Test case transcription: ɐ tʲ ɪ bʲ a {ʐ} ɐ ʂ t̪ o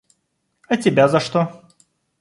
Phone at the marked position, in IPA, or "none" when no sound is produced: z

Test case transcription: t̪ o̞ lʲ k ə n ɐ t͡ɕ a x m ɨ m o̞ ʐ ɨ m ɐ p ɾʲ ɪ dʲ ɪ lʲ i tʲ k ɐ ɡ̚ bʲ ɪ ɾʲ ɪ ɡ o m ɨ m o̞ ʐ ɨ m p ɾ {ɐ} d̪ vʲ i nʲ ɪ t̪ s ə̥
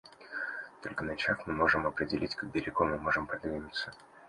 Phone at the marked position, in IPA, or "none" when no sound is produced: ɐ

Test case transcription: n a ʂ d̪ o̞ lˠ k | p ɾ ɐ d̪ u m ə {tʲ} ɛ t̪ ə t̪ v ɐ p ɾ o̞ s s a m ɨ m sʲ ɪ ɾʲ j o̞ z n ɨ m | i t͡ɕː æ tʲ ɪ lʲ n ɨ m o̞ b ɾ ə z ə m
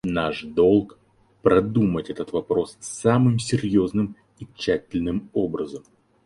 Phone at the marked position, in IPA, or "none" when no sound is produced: tʲ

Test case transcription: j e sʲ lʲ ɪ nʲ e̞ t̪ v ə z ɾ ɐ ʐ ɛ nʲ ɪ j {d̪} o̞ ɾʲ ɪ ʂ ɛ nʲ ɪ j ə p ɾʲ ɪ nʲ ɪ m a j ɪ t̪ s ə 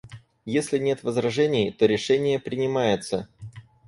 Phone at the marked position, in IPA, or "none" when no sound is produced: t̪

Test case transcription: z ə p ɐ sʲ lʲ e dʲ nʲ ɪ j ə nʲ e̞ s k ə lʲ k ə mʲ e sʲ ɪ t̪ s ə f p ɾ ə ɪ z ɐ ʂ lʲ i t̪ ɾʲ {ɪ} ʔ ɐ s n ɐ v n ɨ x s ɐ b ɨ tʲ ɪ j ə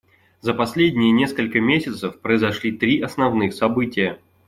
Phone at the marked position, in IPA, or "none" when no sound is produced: i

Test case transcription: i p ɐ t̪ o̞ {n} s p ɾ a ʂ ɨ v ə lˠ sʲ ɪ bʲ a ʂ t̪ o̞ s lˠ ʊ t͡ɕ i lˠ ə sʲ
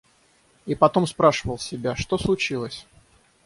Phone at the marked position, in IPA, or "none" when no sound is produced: m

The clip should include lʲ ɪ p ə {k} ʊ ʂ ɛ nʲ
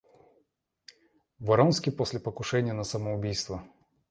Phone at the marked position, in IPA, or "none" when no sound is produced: k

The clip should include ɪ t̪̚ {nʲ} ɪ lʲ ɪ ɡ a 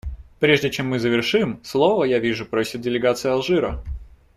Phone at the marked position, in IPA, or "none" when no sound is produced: dʲ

